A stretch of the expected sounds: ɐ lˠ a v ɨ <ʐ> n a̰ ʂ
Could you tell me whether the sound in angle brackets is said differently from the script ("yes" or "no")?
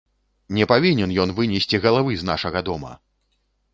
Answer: yes